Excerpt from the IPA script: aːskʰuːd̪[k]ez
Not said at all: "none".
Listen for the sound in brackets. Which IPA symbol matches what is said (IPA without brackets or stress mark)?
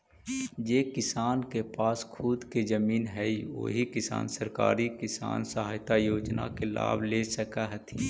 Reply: k